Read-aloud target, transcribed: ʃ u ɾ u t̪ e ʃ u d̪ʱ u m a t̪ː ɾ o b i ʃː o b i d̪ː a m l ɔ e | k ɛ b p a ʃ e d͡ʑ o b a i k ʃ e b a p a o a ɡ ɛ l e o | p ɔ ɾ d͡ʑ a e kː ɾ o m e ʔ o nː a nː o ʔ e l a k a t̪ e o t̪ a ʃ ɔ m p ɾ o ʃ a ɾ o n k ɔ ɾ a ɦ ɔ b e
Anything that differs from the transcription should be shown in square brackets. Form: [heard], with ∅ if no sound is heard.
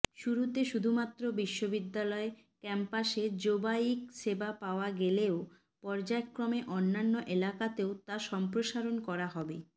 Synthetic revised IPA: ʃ u ɾ u t̪ e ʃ u d̪ʱ u m a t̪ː ɾ o b i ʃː o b i d̪ː a [∅] l ɔ e | k ɛ [m] p a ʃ e d͡ʑ o b a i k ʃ e b a p a o a ɡ [e] l e o | p ɔ ɾ d͡ʑ a e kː ɾ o m e ʔ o nː a nː o ʔ e l a k a t̪ e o t̪ a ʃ ɔ m p ɾ o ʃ a ɾ o n k ɔ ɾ a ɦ ɔ b e

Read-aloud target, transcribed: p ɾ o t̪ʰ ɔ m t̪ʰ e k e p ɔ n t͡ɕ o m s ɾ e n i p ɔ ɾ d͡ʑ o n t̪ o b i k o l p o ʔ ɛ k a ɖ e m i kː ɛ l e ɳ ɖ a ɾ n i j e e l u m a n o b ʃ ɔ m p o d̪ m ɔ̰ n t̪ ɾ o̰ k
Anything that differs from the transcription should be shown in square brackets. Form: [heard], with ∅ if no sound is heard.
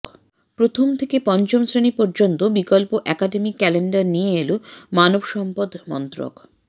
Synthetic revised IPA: p ɾ o t̪ʰ [o] m t̪ʰ e k e p ɔ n t͡ɕ o m s ɾ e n i p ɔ ɾ d͡ʑ o n t̪ o b i k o l p o ʔ ɛ k a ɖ e m i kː ɛ l e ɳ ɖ a ɾ n i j e e l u m a n o b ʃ ɔ m p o d̪ m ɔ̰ n t̪ ɾ o̰ k

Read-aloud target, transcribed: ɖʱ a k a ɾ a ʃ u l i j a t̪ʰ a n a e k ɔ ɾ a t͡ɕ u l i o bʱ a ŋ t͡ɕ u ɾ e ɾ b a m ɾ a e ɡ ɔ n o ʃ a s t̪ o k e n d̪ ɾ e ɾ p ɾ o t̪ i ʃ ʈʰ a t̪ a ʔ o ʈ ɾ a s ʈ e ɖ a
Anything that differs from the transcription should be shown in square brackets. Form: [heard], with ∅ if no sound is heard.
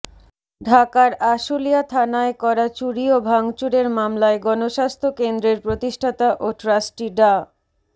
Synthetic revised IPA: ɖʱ a k a ɾ a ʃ u l i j a t̪ʰ a n a e k ɔ ɾ a t͡ɕ u [ɾ] i o bʱ a ŋ t͡ɕ u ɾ e ɾ [m] a m [l] a e ɡ ɔ n o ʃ a s [t̪ʰ] o k e n d̪ ɾ e ɾ p ɾ o t̪ i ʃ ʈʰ a t̪ a ʔ o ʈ ɾ a s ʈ [i] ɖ a

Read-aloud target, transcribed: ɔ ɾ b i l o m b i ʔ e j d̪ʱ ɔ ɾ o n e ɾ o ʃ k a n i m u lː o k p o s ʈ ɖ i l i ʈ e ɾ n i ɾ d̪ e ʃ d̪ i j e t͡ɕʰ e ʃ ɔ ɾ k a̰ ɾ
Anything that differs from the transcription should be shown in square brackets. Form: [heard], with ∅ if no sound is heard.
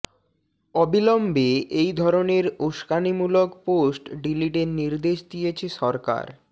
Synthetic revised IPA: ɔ [∅] b i l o m b [e] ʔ e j d̪ʱ ɔ ɾ o n e ɾ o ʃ k a n i m u [l] o k p o s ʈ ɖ i l i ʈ e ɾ n i ɾ d̪ e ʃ d̪ i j e t͡ɕʰ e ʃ ɔ ɾ k a̰ ɾ

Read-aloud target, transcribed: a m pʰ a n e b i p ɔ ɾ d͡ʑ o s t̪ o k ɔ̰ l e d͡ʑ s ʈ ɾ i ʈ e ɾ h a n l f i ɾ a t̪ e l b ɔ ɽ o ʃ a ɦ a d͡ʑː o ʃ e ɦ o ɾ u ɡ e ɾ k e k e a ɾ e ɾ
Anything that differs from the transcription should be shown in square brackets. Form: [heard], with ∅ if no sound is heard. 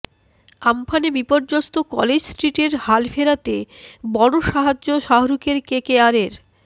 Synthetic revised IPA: a m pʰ a n e b i p [o] ɾ d͡ʑ o s t̪ o k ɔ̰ l e d͡ʑ s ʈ ɾ i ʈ e ɾ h a [∅] l f [e] ɾ a t̪ e [∅] b ɔ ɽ o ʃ a ɦ a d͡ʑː o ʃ [a] ɦ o ɾ u [k] e ɾ k e k e a ɾ e ɾ

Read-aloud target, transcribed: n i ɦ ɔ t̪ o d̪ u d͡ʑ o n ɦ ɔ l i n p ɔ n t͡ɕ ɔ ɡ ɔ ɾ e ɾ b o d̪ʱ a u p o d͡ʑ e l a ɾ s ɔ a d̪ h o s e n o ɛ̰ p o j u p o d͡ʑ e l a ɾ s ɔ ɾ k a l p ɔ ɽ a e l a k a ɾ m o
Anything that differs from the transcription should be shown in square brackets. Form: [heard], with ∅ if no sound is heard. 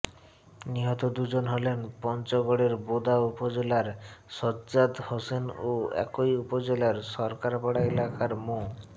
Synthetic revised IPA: n i ɦ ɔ t̪ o d̪ u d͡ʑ o n ɦ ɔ l [e] n p ɔ n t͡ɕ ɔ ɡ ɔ [ɽ] e ɾ b o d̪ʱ a u p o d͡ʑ e l a ɾ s ɔ a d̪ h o s e n o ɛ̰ [k] o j u p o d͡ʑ e l a ɾ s ɔ ɾ k a [ɾ] p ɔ ɽ a e l a k a ɾ m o

